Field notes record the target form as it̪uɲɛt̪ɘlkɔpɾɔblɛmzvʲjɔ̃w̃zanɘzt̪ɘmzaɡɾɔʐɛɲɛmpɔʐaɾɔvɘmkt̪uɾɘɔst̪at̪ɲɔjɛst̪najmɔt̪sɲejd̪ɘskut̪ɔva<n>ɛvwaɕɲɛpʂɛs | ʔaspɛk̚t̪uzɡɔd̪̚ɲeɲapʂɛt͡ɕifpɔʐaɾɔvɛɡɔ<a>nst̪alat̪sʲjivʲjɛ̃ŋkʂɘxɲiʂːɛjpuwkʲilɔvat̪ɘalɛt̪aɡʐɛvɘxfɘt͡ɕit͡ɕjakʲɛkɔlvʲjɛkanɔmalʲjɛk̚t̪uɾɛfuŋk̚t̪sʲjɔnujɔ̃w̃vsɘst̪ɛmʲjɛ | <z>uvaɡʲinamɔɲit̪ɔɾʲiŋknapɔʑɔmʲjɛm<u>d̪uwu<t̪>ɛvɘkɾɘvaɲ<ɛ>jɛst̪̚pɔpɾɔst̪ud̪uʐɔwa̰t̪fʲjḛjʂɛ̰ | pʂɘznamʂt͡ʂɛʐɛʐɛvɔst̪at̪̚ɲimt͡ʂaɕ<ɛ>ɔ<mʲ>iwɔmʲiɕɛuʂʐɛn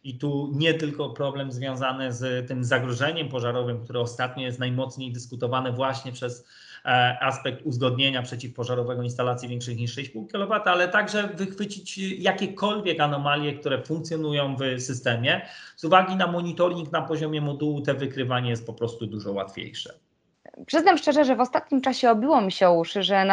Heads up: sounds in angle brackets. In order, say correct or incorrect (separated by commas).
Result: correct, incorrect, correct, incorrect, correct, correct, correct, incorrect